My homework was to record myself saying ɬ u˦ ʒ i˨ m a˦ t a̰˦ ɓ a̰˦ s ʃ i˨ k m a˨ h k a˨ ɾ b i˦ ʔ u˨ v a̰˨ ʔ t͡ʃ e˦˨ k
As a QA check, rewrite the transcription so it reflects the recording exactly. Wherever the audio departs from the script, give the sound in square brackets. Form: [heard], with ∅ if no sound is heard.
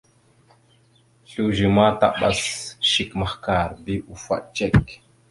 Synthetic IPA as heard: ɬ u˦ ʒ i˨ m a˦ t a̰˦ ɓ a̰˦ s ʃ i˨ k m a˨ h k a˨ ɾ b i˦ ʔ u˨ [f] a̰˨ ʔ t͡ʃ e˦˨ k